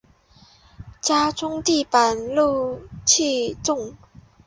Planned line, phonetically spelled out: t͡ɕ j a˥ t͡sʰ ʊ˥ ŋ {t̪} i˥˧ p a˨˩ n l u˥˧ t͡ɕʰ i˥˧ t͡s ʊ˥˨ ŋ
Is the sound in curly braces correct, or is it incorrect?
correct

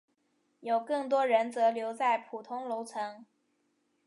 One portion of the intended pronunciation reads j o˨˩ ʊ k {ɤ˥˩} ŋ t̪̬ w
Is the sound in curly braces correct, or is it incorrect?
correct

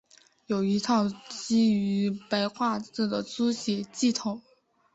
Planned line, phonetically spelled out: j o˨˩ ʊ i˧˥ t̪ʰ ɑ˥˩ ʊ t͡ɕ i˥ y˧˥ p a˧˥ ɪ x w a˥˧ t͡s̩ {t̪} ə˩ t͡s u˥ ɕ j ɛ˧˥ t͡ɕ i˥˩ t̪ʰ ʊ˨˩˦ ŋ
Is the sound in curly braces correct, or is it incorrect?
incorrect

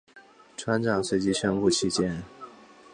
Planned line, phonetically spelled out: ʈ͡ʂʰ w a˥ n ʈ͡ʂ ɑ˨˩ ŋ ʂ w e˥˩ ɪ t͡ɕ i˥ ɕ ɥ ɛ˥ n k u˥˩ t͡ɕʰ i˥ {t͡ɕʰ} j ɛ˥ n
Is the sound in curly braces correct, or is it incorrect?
incorrect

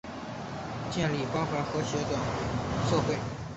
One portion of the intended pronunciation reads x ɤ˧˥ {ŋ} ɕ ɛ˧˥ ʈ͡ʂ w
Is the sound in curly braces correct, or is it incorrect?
incorrect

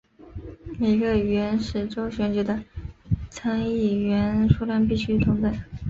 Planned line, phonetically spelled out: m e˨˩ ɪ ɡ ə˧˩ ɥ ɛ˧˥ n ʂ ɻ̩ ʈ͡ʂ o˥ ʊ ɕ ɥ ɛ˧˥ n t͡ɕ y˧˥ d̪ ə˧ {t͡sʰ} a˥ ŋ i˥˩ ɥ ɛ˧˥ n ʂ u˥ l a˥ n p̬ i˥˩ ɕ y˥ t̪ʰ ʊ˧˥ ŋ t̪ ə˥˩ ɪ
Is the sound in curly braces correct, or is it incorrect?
correct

